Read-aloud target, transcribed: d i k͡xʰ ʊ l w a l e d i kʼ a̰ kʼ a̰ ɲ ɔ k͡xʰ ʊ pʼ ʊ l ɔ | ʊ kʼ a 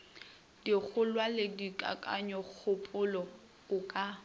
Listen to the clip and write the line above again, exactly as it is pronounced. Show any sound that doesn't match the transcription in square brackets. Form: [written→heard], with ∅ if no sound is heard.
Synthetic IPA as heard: d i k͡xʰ ʊ l w a l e d i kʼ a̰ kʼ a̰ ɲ ɔ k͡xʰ ʊ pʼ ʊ l ɔ | ʊ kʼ a